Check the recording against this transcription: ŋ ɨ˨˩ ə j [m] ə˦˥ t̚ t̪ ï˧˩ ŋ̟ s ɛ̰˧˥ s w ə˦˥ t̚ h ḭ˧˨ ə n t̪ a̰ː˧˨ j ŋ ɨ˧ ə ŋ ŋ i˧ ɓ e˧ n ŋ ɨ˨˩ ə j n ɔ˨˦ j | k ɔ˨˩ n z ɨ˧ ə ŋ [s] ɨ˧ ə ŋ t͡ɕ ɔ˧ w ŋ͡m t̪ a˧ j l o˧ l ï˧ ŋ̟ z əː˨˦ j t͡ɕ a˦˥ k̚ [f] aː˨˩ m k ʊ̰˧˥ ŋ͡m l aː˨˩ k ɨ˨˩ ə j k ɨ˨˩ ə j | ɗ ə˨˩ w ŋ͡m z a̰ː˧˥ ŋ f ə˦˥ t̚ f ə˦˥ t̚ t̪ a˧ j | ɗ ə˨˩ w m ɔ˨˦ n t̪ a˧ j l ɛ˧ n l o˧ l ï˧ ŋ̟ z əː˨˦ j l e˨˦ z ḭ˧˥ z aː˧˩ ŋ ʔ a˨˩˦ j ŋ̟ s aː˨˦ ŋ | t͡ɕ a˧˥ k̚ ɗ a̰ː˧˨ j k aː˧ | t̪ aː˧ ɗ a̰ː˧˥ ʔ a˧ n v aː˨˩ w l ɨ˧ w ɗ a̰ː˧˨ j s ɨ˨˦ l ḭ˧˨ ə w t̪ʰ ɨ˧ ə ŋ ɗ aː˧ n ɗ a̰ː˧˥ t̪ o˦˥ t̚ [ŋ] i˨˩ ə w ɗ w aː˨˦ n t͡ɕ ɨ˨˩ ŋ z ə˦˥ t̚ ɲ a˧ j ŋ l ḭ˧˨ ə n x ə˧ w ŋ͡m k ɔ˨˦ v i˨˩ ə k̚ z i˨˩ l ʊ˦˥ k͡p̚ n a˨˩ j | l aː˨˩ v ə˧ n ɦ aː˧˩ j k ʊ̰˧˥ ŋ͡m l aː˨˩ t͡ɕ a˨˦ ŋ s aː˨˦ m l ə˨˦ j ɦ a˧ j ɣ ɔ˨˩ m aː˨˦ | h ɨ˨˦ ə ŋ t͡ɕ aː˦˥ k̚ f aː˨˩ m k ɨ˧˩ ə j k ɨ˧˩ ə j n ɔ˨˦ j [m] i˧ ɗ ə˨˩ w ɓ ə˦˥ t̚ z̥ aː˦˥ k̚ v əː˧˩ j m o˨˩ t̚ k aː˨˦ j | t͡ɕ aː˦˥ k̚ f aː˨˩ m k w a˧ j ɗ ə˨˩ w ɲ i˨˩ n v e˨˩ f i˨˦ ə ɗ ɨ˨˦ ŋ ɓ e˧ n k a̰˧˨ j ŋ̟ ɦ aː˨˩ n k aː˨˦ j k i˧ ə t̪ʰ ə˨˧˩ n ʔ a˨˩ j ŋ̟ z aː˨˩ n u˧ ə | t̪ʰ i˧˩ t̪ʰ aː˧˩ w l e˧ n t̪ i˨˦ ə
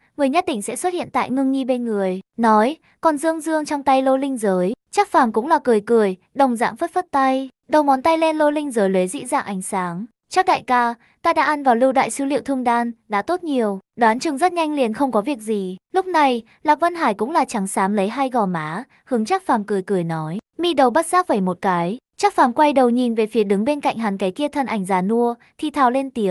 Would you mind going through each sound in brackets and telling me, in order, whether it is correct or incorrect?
incorrect: ɲ, incorrect: z, correct, incorrect: ɲ, correct

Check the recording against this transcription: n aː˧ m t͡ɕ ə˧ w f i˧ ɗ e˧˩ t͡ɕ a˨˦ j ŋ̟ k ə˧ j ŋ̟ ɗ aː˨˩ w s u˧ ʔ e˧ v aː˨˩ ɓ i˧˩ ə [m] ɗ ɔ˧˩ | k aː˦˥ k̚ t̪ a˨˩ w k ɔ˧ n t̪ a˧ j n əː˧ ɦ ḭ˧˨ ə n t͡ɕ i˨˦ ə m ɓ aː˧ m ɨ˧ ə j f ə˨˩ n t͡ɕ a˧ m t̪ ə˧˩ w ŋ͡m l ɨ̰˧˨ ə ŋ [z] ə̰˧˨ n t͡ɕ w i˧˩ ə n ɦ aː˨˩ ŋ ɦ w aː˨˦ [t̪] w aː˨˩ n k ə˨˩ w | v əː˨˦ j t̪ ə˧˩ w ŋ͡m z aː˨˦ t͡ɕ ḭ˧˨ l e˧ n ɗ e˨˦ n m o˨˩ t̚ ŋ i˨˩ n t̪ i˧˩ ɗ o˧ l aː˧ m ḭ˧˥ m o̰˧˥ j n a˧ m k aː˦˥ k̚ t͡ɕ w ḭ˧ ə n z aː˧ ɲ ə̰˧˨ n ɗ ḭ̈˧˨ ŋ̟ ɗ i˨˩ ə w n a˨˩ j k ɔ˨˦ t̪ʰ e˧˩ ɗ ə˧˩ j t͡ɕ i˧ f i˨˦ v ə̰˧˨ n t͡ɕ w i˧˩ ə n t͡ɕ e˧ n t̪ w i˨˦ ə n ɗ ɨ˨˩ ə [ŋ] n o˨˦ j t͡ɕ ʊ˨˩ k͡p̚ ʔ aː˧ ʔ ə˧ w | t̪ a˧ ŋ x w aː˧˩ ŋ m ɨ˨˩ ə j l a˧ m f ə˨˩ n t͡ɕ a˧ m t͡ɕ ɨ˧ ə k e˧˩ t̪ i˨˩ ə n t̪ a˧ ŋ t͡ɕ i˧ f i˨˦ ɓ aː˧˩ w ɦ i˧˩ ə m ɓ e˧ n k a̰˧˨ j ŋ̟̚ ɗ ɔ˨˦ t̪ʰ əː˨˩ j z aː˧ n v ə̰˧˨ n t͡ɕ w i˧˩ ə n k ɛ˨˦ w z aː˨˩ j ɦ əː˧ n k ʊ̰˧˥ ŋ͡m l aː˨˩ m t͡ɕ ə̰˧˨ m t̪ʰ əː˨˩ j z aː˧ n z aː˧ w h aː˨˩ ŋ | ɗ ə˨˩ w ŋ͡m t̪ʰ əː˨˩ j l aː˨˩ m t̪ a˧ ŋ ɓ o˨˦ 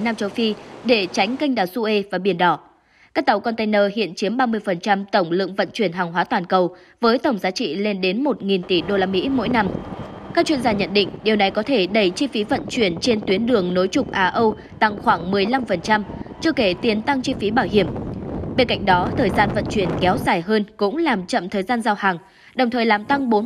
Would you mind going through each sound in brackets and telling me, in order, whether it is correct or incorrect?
incorrect: n, incorrect: v, correct, correct

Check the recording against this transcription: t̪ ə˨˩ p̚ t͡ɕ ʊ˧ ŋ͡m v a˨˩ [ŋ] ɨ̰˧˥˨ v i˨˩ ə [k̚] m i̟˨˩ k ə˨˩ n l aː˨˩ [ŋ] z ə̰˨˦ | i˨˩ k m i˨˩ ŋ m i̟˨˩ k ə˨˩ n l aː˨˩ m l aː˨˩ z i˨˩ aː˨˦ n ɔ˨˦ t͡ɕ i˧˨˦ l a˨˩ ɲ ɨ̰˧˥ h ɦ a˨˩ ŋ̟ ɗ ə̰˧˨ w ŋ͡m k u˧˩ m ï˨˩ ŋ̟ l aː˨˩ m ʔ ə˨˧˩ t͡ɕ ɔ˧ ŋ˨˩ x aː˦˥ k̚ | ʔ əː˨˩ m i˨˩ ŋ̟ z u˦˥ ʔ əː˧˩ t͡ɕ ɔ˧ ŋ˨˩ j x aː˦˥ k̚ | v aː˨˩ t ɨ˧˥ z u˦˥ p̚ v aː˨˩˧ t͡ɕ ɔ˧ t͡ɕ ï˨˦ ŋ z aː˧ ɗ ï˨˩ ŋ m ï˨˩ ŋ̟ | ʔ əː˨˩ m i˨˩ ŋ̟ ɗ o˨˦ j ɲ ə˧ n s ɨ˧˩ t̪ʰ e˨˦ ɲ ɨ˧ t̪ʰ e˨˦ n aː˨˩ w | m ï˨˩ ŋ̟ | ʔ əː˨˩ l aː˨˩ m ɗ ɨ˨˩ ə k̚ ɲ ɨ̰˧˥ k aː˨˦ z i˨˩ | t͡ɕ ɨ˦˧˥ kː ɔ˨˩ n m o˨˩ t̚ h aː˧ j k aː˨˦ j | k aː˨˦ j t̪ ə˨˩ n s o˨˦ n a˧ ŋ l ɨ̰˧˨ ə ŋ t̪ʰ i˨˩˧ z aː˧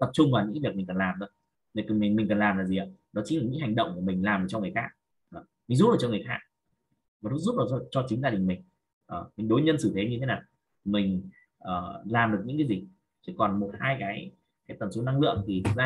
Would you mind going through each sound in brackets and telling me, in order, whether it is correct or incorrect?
incorrect: ɲ, correct, incorrect: m

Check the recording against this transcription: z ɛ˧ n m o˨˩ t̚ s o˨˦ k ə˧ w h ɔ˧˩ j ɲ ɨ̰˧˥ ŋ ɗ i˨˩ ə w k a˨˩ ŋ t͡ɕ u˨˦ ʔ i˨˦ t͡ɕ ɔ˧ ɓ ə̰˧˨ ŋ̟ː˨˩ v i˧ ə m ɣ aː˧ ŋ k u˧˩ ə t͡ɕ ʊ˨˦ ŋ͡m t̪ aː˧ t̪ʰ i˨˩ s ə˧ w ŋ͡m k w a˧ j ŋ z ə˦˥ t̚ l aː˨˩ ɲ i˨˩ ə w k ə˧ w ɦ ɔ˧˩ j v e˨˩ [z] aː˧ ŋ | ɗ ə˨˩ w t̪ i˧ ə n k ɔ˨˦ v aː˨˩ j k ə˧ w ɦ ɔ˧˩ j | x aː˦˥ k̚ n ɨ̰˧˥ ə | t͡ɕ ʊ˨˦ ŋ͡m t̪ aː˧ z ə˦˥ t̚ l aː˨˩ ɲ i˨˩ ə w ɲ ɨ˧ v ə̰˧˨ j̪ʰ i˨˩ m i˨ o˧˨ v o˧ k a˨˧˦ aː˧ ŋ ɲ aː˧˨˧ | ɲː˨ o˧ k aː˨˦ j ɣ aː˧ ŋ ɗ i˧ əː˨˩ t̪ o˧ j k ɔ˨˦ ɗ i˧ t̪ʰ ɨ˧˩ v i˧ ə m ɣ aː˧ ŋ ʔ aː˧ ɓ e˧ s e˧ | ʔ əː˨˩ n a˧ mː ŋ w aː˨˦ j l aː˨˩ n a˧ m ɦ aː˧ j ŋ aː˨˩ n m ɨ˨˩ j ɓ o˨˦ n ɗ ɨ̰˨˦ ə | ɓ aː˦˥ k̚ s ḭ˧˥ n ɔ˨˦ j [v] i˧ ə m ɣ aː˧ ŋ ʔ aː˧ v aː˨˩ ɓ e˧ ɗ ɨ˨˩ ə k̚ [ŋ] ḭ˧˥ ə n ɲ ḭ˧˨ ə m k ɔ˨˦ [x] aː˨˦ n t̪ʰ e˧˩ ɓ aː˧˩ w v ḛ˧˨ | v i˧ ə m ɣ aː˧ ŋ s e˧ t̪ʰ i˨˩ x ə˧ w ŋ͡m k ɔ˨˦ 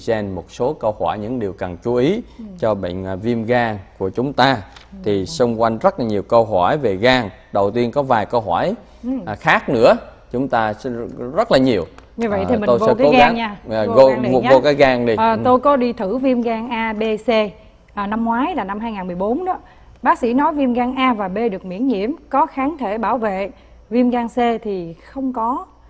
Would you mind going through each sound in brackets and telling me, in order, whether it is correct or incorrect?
incorrect: ɣ, correct, incorrect: m, correct

